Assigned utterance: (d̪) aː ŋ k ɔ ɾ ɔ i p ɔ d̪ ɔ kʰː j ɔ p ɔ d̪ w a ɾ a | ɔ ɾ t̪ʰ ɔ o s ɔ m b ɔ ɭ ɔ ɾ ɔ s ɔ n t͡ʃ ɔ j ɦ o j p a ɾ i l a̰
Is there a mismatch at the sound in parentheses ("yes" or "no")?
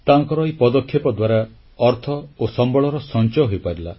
yes